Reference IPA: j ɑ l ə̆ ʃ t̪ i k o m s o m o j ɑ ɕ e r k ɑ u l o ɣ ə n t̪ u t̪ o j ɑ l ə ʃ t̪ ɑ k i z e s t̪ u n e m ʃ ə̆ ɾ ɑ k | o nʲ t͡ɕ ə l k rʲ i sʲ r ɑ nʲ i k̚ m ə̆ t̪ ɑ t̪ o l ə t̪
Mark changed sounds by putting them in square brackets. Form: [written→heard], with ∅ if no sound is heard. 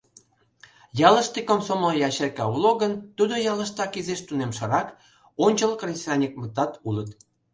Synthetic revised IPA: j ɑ l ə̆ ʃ t̪ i k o m s o m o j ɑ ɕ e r k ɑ u l o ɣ ə n t̪ u [t̪→d̪] o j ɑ l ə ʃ t̪ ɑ k i z e [s→ʃ] t̪ u n e m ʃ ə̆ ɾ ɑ k | o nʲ t͡ɕ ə l k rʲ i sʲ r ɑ nʲ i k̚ m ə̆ t̪ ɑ t̪ [o→u] l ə t̪